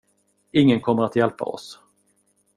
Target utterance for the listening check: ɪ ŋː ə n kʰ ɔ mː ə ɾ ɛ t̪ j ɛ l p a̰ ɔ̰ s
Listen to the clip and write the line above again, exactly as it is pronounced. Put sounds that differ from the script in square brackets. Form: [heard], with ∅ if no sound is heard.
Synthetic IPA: ɪ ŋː ə n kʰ ɔ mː ə ɾ [a] t̪ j ɛ l p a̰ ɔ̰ s